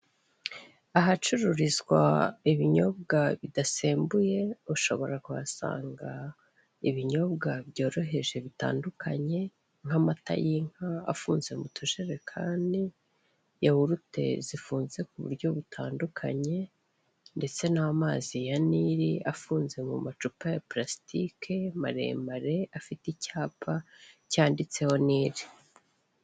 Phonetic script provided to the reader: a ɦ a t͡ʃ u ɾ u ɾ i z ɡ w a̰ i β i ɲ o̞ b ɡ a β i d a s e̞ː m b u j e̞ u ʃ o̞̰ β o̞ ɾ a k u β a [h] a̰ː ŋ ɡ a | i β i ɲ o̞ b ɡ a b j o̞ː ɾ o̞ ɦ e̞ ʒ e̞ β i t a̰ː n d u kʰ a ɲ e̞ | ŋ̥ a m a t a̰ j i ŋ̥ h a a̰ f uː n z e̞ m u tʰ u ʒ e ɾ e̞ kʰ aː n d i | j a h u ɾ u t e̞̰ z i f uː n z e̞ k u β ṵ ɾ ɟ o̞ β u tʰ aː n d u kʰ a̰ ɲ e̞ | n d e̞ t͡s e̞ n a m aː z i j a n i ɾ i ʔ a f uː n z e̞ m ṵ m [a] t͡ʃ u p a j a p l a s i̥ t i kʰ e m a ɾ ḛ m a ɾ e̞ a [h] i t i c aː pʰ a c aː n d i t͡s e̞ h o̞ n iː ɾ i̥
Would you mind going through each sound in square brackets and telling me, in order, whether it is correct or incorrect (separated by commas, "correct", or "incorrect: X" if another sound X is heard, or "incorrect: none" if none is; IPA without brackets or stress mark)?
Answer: incorrect: s, correct, incorrect: f